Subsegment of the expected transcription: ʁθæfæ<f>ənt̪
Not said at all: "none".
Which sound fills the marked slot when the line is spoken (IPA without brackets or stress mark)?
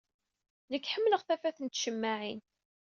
θ